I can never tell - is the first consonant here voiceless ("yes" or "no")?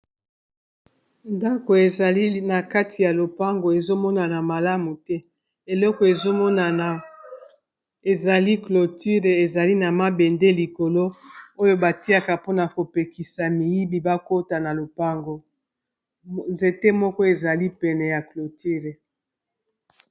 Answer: no